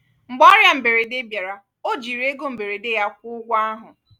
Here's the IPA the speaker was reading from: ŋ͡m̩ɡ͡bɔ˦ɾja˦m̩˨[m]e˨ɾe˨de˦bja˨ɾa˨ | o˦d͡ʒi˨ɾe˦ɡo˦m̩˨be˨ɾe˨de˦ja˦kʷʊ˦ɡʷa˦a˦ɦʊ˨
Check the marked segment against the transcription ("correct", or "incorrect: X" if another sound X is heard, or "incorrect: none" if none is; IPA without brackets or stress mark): incorrect: b